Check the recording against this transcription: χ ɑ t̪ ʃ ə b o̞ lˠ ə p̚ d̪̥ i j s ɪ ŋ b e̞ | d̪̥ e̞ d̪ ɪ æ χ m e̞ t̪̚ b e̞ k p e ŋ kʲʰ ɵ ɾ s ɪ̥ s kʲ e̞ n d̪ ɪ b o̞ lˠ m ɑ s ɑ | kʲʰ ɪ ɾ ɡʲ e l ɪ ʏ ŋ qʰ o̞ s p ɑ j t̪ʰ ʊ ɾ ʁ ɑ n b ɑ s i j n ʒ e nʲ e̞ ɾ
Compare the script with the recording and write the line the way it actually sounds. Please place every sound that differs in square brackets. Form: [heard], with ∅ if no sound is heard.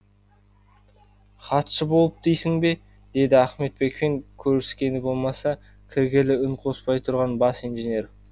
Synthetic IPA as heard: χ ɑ t̪ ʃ ə b o̞ lˠ ə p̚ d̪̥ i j s ɪ ŋ b e̞ | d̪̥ e̞ d̪ ɪ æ χ m e̞ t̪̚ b e̞ k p e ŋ kʲʰ ɵ ɾ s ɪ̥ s kʲ e̞ n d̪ ɪ b o̞ lˠ m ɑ s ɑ | kʲʰ ɪ ɾ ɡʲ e l ɪ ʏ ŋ qʰ o̞ s p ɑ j t̪ʰ ʊ ɾ ʁ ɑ n b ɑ s i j n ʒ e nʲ e̞ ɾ

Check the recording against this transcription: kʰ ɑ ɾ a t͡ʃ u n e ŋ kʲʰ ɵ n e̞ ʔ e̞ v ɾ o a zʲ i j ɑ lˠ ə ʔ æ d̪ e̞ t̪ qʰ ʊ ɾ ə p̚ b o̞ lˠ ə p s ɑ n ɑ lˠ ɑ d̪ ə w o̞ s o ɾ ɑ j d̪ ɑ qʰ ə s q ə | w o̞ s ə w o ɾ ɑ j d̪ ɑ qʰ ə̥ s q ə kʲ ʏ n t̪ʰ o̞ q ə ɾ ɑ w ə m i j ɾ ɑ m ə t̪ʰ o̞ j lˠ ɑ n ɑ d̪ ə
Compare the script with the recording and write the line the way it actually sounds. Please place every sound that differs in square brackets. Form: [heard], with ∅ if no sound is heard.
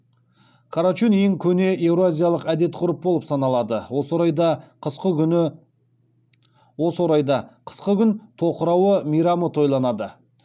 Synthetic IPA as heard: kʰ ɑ ɾ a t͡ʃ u n e ŋ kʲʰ ɵ n e̞ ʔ e̞ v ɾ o a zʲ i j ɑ lˠ ə [q] æ d̪ e̞ t̪ qʰ ʊ ɾ ə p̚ b o̞ lˠ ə p s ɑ n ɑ lˠ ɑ d̪ ə w o̞ s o ɾ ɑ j d̪ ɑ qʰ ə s q ə | w o̞ s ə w o ɾ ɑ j d̪ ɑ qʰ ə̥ s q ə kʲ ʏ n t̪ʰ o̞ q ə ɾ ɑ w ə m i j ɾ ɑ m ə t̪ʰ o̞ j lˠ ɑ n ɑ d̪ ə

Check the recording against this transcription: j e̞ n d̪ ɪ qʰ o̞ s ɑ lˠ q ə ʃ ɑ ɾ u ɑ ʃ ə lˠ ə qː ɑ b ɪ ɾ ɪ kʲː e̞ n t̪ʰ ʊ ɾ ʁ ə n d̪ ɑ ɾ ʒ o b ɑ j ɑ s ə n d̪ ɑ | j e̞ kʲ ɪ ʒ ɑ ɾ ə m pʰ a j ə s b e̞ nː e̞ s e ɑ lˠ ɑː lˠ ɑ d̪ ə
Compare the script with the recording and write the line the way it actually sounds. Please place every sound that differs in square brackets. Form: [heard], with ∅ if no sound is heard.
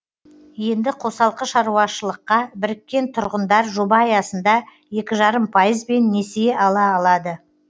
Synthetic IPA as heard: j e̞ n d̪ ɪ qʰ o̞ s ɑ lˠ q ə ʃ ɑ ɾ u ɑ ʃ ə lˠ ə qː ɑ b ɪ ɾ ɪ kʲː e̞ n t̪ʰ ʊ ɾ ʁ ə n d̪ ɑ ɾ ʒ o b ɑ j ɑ s ə n d̪ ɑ | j e̞ kʲ ɪ ʒ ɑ ɾ ə m pʰ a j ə [z] b e̞ nː e̞ s e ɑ lˠ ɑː lˠ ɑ d̪ ə

